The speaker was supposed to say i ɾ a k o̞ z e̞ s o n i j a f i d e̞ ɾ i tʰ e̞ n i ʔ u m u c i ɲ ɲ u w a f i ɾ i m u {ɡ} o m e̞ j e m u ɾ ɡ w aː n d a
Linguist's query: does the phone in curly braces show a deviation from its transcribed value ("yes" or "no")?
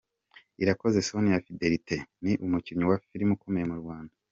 yes